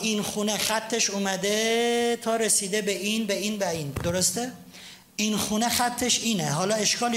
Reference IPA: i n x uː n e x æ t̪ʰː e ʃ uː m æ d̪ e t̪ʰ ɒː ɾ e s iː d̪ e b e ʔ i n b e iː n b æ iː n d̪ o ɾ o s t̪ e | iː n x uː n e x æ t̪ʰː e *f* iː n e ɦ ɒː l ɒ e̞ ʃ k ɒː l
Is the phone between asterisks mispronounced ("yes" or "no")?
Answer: yes